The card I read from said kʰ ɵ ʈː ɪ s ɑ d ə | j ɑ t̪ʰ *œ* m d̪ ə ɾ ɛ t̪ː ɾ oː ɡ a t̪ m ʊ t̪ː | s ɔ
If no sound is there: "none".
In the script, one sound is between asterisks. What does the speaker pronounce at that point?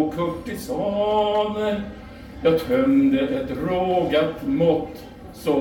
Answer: œ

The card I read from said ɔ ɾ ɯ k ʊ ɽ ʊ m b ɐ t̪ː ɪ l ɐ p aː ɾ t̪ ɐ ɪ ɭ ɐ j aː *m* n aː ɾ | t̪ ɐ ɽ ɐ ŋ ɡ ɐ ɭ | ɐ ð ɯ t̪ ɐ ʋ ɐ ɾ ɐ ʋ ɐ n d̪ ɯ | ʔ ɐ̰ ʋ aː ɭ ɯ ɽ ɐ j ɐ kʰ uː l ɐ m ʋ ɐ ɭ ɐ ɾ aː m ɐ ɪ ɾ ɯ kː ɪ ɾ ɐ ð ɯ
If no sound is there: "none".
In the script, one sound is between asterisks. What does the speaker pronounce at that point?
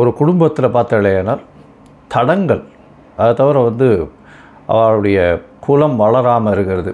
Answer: none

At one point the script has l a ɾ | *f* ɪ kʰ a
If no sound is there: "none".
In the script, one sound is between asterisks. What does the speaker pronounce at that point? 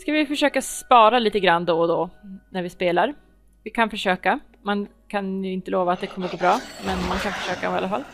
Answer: v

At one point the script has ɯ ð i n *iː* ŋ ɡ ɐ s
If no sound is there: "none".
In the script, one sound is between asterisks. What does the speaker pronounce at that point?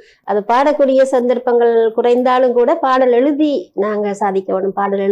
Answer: aː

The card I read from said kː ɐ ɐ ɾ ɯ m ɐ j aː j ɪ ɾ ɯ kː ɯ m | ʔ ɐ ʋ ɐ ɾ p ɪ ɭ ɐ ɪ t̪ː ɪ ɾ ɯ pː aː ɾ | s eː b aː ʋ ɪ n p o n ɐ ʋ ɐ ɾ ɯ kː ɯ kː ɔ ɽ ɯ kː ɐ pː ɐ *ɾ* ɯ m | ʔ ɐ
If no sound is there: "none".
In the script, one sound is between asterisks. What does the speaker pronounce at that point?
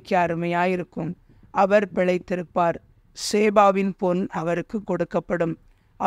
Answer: ɽ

